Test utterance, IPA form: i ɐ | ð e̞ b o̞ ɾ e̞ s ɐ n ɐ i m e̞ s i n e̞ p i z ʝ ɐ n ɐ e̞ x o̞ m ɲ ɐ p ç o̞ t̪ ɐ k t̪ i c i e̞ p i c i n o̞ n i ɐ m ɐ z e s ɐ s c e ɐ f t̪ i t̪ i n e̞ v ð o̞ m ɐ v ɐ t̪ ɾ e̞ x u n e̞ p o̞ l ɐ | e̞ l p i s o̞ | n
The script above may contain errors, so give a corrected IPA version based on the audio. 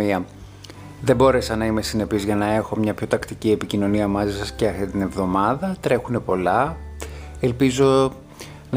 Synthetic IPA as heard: i ɐ | ð e̞ b o̞ ɾ e̞ s ɐ n ɐ i m e̞ s i n e̞ p i z ʝ ɐ n ɐ e̞ x o̞ m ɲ ɐ p ç o̞ t̪ ɐ k t̪ i c i e̞ p i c i n o̞ n i ɐ m ɐ z i s ɐ s c e ɐ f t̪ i t̪ i n e̞ v ð o̞ m ɐ ð ɐ t̪ ɾ e̞ x u n e̞ p o̞ l ɐ | e̞ l p i z o̞ | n